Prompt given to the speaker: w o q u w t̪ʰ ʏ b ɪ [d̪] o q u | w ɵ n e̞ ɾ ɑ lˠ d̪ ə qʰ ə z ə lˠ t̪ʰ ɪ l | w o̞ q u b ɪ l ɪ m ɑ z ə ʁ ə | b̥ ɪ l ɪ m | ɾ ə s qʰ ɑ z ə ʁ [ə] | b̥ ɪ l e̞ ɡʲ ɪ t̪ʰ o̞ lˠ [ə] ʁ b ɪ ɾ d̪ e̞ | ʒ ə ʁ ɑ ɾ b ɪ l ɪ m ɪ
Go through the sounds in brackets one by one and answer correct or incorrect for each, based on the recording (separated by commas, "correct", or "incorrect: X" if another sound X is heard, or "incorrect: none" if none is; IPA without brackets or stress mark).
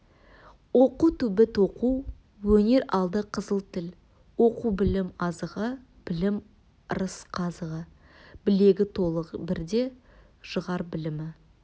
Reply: incorrect: t̪, correct, correct